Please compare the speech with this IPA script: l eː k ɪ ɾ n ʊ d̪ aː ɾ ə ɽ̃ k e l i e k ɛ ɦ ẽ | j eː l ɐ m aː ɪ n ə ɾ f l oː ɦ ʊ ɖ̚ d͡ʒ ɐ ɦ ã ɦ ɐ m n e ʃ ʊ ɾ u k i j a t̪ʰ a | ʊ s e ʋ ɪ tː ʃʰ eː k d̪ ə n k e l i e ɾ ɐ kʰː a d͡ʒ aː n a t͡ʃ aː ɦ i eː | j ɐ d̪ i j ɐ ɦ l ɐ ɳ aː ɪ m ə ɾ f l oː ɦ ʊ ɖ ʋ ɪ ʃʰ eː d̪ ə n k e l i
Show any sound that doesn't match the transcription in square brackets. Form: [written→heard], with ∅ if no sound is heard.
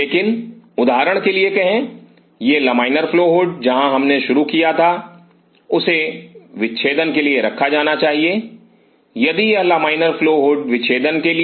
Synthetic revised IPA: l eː k ɪ [ɾ→∅] n ʊ d̪ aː ɾ ə ɽ̃ k e l i e k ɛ ɦ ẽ | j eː l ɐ m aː ɪ n ə ɾ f l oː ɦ ʊ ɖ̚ d͡ʒ ɐ ɦ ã ɦ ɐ m n e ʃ ʊ ɾ u k i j a t̪ʰ a | ʊ s e ʋ ɪ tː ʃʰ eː [k→∅] d̪ ə n k e l i e ɾ ɐ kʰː a d͡ʒ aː n a t͡ʃ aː ɦ i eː | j ɐ d̪ i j ɐ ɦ l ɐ [ɳ→m] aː ɪ [m→n] ə ɾ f l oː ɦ ʊ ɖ ʋ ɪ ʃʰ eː d̪ ə n k e l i

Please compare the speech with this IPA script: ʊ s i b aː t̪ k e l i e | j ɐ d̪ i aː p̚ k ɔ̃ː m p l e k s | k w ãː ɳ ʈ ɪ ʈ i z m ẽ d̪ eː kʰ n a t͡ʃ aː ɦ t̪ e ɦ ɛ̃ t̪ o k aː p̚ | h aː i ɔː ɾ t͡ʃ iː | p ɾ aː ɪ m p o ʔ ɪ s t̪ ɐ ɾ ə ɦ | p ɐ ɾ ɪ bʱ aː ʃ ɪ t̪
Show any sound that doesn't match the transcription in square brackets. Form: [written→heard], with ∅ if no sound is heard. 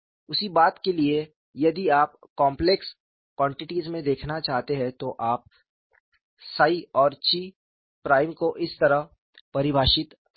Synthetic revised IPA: ʊ s i b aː t̪ k e l i e | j ɐ d̪ i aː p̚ k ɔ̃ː m p l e k s | k w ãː ɳ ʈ ɪ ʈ i z m ẽ d̪ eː kʰ n a t͡ʃ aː ɦ t̪ e ɦ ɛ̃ t̪ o [k→ʔ] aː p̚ | [h→s] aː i ɔː ɾ t͡ʃ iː | p ɾ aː ɪ m [p→k] o ʔ ɪ s t̪ ɐ ɾ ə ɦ | p ɐ ɾ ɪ bʱ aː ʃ ɪ t̪

